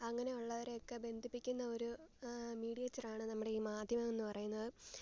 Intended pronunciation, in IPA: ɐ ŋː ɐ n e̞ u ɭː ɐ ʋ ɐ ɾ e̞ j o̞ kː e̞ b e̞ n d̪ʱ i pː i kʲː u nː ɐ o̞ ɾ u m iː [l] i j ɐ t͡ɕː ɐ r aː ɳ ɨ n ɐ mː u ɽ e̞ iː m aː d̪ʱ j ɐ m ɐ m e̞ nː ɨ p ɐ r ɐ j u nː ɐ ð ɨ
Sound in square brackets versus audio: incorrect: ɽ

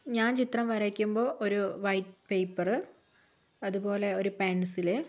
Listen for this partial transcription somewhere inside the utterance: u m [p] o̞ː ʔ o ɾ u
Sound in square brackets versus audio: incorrect: b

